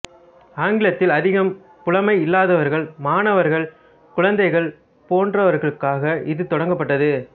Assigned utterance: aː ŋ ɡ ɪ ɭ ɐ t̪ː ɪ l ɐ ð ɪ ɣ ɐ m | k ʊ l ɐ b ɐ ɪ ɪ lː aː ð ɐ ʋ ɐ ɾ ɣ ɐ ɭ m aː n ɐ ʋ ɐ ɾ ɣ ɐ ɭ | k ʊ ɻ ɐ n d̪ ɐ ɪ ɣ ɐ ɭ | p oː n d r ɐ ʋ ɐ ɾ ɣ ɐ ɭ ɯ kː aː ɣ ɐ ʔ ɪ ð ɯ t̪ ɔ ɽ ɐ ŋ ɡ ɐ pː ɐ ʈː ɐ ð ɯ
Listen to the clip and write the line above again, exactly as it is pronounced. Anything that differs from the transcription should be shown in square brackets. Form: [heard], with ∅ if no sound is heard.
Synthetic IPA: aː ŋ ɡ ɪ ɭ ɐ t̪ː ɪ l ɐ ð ɪ ɣ ɐ m | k ʊ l ɐ [m] ɐ ɪ ɪ lː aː ð ɐ ʋ ɐ ɾ ɣ ɐ ɭ m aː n ɐ ʋ ɐ ɾ ɣ ɐ ɭ | k ʊ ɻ ɐ n d̪ ɐ ɪ ɣ ɐ ɭ | p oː n d r ɐ ʋ ɐ ɾ ɣ ɐ ɭ ɯ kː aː ɣ ɐ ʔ ɪ ð ɯ t̪ ɔ ɽ ɐ ŋ ɡ ɐ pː ɐ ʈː ɐ ð ɯ